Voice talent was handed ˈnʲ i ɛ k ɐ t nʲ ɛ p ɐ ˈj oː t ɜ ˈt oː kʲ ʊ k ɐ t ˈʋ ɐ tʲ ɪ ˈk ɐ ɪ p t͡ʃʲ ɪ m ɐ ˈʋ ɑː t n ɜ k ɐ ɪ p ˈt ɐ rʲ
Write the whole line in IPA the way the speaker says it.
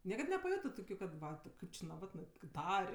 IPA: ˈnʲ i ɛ k ɐ t nʲ ɛ p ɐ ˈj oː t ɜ ˈt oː kʲ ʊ k ɐ t ˈʋ ɐ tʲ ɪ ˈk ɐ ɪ p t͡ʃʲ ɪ n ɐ ˈʋ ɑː t n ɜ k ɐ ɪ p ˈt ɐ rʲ